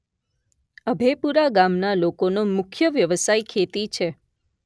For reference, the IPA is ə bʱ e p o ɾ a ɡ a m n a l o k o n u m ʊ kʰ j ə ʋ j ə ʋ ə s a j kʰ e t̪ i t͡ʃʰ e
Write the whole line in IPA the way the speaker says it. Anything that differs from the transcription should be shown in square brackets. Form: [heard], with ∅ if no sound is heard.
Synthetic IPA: ə bʱ e p [u] ɾ a ɡ a m n a l o k o n [o] m ʊ kʰ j ə ʋ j ə ʋ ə s a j kʰ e t̪ i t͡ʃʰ e